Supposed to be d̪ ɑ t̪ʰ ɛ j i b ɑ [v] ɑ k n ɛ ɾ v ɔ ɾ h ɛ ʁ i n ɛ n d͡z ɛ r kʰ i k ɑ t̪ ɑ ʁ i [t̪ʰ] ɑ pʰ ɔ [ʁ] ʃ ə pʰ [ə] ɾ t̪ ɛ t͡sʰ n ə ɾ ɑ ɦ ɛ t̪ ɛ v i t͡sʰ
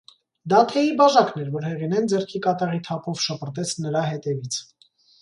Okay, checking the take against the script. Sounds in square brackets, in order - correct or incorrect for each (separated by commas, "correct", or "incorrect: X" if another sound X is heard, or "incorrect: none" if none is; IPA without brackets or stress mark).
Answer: incorrect: ʒ, correct, incorrect: v, correct